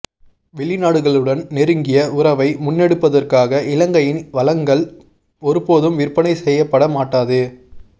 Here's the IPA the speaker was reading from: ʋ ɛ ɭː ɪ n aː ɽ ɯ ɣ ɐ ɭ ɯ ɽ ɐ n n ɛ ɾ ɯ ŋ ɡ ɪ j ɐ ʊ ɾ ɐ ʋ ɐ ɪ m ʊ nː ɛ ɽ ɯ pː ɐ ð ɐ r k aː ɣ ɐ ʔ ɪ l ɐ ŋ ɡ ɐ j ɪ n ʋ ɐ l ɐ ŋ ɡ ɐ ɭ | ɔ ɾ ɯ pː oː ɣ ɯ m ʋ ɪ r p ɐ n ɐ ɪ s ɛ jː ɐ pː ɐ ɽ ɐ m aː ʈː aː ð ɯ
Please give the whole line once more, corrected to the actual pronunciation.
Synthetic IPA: ʋ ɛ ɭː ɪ n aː ɽ ɯ ɣ ɐ ɭ ɯ ɽ ɐ n n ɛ ɾ ɯ ŋ ɡ ɪ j ɐ ʊ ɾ ɐ ʋ ɐ ɪ m ʊ nː ɛ ɽ ɯ pː ɐ ð ɐ r k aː ɣ ɐ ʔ ɪ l ɐ ŋ ɡ ɐ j ɪ n ʋ ɐ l ɐ ŋ ɡ ɐ ɭ | ɔ ɾ ɯ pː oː ð ɯ m ʋ ɪ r p ɐ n ɐ ɪ s ɛ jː ɐ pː ɐ ɽ ɐ m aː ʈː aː ð ɯ